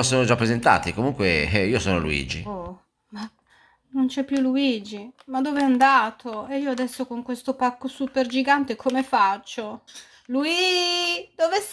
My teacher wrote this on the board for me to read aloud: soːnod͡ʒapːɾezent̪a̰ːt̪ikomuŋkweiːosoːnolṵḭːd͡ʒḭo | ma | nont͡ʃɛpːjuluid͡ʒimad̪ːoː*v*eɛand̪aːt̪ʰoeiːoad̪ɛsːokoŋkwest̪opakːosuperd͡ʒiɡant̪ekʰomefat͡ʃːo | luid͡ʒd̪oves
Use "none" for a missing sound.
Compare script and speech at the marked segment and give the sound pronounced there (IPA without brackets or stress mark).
v